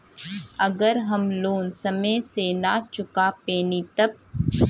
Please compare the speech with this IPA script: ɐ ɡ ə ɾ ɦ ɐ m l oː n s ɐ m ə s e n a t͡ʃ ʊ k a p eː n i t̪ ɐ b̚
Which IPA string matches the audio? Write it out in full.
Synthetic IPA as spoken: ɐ ɡ ə ɾ ɦ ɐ m l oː n s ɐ m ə s e n a t͡ʃ ʊ k a p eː n i t̪ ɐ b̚